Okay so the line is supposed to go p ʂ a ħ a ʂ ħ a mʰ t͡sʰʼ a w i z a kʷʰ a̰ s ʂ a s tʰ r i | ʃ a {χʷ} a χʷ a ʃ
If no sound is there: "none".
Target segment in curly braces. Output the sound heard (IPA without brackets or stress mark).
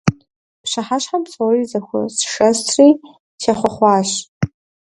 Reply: χʷ